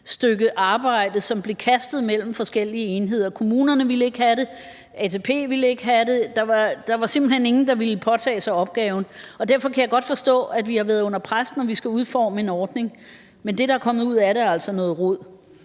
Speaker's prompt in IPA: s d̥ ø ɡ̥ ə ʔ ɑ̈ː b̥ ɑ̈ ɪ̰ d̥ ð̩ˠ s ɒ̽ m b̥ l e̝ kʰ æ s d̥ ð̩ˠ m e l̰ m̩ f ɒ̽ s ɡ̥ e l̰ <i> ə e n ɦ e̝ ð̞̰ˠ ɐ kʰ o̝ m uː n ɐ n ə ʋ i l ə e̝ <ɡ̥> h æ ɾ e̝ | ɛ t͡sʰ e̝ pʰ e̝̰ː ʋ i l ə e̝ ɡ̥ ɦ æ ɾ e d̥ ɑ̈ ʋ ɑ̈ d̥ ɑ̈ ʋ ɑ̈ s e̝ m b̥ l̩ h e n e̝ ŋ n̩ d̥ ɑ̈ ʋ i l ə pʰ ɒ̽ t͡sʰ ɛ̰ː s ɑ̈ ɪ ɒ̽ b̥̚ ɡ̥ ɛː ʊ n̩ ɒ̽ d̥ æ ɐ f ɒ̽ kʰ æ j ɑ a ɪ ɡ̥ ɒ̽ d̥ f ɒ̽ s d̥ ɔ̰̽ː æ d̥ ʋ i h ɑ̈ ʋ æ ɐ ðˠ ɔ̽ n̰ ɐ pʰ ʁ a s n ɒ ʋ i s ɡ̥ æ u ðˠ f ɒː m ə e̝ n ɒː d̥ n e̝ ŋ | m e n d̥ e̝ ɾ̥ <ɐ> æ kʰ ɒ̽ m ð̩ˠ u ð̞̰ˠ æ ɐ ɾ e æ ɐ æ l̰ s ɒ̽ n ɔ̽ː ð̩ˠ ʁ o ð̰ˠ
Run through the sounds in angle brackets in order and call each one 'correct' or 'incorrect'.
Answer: correct, correct, incorrect: ɑ

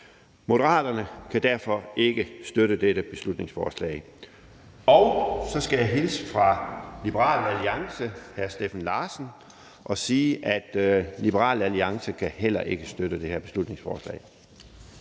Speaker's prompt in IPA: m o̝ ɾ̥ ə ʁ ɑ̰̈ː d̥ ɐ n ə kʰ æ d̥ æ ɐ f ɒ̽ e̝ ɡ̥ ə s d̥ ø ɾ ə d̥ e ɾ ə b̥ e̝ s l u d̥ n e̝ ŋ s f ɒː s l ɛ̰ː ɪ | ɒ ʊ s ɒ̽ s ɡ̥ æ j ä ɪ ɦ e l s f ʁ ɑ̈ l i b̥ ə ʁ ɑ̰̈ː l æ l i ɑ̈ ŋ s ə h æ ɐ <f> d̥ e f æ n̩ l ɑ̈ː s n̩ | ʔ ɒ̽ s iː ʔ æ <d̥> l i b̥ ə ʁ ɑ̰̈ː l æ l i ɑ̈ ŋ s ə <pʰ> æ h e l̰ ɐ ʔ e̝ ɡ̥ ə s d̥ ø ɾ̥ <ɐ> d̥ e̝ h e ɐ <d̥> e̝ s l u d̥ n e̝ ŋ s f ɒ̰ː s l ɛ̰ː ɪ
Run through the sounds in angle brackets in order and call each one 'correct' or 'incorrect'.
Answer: incorrect: s, correct, incorrect: kʰ, incorrect: ə, incorrect: b̥

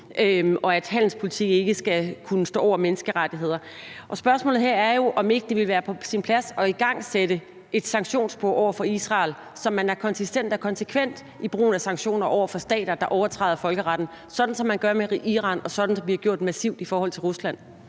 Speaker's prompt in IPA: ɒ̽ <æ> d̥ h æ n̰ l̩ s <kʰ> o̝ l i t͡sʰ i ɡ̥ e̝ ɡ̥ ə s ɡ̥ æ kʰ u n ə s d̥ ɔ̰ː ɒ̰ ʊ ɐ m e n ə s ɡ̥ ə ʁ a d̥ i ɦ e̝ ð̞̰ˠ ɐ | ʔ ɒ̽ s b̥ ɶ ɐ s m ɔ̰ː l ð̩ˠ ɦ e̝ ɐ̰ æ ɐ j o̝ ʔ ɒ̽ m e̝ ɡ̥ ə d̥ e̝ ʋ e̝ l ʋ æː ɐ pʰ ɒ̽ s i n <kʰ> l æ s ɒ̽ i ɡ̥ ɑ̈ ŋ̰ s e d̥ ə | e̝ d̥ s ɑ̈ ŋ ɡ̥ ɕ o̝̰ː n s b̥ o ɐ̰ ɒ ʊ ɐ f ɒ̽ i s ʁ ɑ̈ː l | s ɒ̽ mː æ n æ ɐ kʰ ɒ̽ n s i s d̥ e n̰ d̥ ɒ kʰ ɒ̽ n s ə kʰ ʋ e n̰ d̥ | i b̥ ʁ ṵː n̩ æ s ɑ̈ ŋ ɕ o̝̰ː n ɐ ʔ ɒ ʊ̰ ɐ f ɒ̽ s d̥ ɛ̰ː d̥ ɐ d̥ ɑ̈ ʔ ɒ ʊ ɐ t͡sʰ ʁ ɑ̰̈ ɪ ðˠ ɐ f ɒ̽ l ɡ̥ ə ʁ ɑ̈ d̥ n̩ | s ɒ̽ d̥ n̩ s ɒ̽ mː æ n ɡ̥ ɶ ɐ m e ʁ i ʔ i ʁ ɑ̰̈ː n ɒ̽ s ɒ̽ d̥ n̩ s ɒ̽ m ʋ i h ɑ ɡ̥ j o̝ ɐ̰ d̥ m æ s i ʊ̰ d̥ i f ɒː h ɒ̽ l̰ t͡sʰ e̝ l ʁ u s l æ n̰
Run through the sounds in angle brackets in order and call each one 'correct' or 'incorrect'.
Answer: correct, incorrect: pʰ, incorrect: pʰ

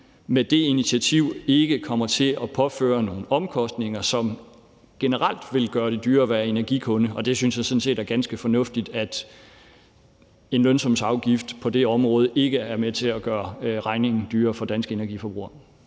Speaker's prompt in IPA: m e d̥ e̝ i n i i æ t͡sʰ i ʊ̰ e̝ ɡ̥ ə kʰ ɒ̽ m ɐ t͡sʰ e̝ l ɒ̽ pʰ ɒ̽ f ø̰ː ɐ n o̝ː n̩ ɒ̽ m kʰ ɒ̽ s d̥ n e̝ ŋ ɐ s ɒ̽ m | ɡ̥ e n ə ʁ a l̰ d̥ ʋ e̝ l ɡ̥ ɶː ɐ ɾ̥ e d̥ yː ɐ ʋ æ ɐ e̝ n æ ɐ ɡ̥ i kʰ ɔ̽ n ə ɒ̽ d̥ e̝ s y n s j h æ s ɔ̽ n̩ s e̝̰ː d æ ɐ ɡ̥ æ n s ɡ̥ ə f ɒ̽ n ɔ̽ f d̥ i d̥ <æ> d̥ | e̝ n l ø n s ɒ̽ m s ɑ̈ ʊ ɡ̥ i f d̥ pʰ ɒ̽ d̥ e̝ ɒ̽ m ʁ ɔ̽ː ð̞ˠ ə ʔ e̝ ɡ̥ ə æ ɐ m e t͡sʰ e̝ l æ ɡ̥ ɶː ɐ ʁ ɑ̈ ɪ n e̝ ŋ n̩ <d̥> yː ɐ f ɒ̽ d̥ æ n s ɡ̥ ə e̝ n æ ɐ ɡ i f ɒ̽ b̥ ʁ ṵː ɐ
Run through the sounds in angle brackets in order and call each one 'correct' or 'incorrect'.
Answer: correct, correct

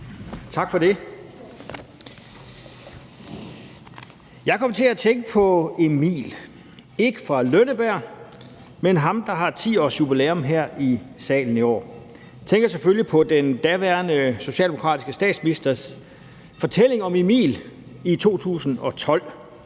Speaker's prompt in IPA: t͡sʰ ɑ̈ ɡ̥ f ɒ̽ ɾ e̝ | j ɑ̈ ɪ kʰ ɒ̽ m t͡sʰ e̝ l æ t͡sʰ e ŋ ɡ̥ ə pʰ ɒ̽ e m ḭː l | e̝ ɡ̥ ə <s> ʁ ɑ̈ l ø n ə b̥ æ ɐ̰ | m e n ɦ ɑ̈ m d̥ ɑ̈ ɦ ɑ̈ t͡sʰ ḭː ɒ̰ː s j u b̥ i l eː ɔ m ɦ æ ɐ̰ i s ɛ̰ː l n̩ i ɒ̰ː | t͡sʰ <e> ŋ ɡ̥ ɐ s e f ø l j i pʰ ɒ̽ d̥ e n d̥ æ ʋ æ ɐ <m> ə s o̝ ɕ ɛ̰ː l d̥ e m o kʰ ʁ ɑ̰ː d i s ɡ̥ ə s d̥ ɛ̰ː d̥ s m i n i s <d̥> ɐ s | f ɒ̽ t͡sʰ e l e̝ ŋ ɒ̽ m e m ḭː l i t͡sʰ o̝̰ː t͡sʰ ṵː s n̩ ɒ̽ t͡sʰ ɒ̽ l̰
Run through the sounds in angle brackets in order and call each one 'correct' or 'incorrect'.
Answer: incorrect: f, correct, incorrect: n, correct

